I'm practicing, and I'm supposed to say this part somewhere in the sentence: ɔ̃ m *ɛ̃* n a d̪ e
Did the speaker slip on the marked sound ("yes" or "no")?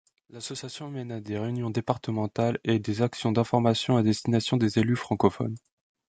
yes